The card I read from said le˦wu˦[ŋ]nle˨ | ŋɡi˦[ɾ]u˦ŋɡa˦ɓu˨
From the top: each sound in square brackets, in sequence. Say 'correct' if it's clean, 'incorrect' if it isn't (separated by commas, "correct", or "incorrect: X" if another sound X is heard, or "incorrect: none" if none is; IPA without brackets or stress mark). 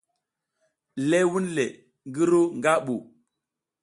incorrect: none, correct